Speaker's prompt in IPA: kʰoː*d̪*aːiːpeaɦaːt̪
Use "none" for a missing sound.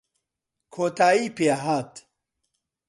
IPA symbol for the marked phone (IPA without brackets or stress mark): t̪